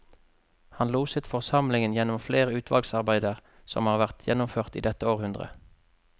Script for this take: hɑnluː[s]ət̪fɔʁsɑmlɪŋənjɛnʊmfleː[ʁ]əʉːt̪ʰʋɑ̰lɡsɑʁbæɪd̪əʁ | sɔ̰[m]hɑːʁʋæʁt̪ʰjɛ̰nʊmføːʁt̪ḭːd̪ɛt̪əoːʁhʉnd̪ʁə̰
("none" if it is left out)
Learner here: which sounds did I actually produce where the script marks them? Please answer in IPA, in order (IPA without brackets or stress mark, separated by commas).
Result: s, ʁ, m